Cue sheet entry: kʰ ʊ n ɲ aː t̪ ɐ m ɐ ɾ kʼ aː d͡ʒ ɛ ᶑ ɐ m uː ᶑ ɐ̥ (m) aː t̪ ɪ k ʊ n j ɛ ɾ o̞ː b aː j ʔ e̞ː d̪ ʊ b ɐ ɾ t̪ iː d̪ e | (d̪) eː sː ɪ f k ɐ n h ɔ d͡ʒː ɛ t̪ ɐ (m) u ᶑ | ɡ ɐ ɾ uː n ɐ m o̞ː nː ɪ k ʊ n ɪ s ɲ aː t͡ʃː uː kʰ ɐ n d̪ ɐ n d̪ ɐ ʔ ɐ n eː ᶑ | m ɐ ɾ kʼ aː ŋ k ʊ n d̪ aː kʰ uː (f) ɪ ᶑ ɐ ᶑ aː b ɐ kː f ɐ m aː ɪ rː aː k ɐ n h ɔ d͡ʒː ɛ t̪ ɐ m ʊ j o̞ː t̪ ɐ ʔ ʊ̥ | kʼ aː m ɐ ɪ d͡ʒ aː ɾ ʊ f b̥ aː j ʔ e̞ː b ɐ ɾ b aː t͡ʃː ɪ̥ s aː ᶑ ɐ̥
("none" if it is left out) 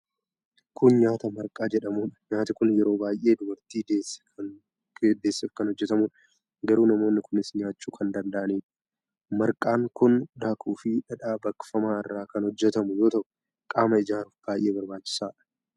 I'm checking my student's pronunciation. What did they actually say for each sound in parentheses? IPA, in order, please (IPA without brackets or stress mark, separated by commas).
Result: ɲ, d̪, m, f